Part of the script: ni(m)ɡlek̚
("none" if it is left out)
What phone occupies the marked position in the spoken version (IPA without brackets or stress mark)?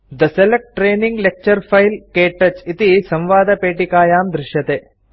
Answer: ŋ